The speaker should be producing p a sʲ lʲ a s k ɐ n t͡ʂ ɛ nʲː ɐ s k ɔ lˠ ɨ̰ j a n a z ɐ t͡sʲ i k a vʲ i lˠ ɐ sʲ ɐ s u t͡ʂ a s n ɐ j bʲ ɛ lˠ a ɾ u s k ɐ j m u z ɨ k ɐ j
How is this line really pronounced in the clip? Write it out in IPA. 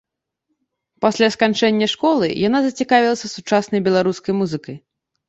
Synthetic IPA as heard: p a sʲ lʲ a s k a n t͡ʂ ɛ nʲː ɐ ʂ k ɔ lˠ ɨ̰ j a n a z ɐ t͡sʲ i k a vʲ i lˠ ɐ sʲ ɐ s u t͡ʂ a s n ɐ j bʲ ɛ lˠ a ɾ u s k ɐ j m u z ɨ k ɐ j